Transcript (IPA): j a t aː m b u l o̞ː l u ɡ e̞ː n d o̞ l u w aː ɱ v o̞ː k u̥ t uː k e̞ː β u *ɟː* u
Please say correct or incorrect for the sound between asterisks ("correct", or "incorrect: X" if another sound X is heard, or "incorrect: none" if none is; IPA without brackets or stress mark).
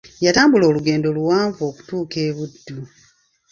incorrect: dː